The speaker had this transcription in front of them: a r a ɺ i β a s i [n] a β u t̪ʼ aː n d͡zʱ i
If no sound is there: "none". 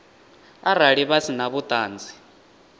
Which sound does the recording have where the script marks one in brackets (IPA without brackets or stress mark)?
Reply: n